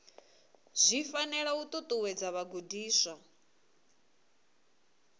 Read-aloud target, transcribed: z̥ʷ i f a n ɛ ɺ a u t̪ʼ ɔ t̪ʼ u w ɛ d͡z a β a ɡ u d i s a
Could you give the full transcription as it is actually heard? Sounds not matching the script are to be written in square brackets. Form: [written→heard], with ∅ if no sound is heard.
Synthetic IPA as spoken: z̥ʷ i f a n ɛ ɺ a u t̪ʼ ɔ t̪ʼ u w ɛ d͡z a β a ɡ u d [i→iː] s a